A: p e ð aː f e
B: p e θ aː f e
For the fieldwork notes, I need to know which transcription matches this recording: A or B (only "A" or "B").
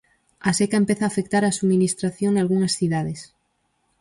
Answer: B